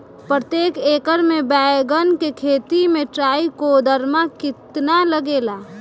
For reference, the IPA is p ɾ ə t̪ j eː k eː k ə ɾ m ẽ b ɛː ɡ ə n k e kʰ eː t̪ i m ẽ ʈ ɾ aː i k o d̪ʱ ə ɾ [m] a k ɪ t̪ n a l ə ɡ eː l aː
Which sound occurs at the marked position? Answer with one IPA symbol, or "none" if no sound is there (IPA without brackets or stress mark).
m